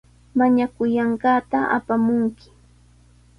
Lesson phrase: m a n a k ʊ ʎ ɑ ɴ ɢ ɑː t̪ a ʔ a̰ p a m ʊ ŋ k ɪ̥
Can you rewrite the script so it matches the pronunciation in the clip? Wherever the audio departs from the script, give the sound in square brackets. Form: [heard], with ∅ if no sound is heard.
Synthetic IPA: m a [ɲ] a k ʊ [j] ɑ ɴ ɢ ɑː t̪ a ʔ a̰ p a m ʊ ŋ k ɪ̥